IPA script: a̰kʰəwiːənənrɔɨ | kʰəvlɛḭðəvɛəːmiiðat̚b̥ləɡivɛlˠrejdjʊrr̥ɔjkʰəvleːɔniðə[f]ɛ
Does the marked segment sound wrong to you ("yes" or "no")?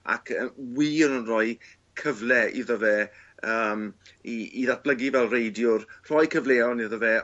yes